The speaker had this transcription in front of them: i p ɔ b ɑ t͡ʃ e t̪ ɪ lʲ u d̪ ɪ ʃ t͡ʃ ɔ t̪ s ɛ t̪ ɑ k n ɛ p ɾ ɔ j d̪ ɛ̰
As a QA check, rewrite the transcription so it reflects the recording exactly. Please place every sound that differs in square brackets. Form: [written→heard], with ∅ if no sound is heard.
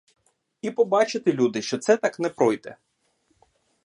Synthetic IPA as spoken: i p ɔ b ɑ t͡ʃ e t̪ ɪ lʲ u d̪ ɪ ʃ t͡ʃ ɔ t̪ s ɛ t̪ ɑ k n ɛ p ɾ ɔ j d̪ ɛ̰